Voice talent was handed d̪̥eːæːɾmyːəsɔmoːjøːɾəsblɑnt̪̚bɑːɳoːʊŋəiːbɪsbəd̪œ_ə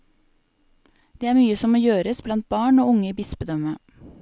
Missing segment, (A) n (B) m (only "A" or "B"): B